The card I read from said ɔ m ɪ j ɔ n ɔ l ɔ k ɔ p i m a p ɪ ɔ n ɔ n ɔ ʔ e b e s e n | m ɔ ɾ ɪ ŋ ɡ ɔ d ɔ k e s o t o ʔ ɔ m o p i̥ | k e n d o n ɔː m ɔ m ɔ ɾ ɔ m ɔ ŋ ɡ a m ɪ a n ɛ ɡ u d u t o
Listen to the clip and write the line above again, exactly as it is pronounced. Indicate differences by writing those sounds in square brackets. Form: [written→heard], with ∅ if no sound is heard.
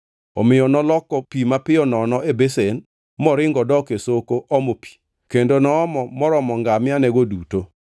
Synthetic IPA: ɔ m ɪ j ɔ n ɔ l ɔ k ɔ p i m a p ɪ ɔ n ɔ n ɔ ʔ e b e s e n | m ɔ ɾ ɪ ŋ ɡ ɔ d ɔ k e s o [t→k] o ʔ ɔ m o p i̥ | k e n d o n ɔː m ɔ m ɔ ɾ ɔ m ɔ ŋ ɡ a m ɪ a n ɛ ɡ [u→o] d u t o